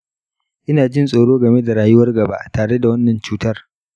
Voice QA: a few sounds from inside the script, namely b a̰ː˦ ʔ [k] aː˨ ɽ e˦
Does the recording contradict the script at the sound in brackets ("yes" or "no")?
yes